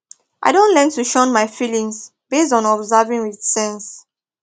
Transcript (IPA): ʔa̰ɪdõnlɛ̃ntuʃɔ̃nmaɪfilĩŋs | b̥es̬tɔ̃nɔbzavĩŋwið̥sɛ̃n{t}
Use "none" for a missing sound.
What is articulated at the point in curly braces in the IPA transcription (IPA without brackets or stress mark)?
s